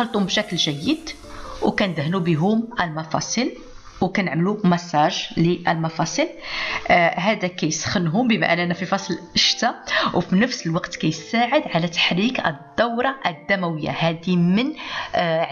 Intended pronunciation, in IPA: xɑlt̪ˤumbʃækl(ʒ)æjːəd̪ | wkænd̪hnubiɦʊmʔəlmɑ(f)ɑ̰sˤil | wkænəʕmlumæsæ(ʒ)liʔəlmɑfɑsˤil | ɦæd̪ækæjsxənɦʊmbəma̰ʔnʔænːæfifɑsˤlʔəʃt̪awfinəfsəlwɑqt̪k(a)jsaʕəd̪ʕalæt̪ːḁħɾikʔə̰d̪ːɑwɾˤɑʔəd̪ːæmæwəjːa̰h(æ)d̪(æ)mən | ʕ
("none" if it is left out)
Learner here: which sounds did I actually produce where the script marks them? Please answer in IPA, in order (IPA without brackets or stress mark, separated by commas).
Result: ʒ, f, ʒ, æ, æ, i